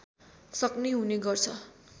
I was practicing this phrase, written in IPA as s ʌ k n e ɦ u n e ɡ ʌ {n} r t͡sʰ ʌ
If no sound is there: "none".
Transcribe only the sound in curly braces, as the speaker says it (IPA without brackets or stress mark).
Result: none